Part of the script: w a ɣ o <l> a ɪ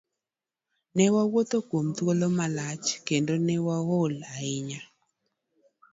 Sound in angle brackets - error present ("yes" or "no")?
no